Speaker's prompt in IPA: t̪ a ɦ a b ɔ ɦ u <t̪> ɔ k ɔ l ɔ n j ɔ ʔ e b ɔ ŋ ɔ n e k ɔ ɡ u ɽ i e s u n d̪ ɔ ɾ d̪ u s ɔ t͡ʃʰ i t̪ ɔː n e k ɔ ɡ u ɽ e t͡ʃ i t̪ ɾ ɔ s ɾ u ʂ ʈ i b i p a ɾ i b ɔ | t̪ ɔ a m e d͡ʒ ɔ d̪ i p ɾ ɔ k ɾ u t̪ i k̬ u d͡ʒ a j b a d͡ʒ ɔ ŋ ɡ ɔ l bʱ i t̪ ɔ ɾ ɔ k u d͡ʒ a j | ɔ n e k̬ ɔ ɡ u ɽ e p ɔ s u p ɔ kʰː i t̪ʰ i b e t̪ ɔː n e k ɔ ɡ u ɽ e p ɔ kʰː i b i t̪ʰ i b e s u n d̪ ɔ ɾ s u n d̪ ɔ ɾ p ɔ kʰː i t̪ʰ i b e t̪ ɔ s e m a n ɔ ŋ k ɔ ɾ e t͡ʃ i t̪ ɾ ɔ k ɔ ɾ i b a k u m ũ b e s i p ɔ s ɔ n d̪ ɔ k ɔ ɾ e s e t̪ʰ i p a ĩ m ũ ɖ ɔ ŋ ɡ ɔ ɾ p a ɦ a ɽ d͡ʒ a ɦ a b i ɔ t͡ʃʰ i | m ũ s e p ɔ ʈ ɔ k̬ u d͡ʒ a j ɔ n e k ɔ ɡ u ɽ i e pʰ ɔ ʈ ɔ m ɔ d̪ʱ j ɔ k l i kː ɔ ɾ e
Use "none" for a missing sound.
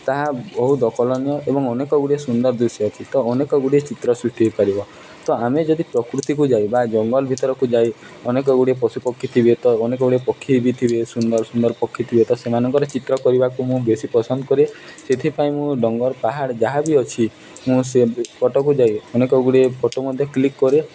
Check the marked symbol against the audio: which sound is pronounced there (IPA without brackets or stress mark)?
d̪